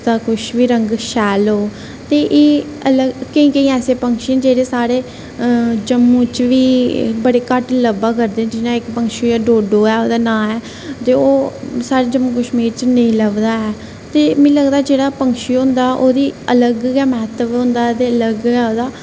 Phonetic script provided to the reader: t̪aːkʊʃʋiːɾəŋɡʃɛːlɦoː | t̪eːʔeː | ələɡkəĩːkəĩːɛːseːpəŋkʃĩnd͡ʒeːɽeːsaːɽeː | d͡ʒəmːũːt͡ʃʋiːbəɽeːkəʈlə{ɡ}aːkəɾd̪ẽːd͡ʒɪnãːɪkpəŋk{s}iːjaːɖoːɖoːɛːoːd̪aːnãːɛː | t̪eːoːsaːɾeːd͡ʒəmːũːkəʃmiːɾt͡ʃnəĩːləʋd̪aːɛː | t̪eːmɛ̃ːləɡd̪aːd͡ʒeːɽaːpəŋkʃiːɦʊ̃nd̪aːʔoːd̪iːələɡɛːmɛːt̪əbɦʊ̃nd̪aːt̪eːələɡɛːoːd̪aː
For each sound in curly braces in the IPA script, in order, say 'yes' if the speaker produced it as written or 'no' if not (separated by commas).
no, no